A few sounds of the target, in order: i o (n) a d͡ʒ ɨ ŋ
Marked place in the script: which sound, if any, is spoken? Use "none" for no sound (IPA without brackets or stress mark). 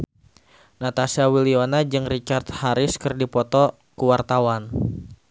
n